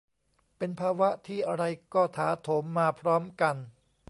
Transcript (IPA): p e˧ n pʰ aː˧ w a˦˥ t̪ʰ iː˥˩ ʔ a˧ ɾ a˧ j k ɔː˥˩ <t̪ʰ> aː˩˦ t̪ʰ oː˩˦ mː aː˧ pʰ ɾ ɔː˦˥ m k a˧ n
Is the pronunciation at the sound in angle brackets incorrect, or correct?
correct